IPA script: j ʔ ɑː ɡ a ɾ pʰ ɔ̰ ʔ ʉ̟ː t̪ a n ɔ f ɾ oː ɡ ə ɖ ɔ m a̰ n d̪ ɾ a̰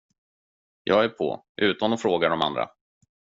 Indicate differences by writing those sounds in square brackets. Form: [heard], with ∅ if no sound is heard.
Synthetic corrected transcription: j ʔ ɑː ɡ [æ] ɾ pʰ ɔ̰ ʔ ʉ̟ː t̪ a n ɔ f ɾ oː ɡ [a] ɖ ɔ m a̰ n d̪ ɾ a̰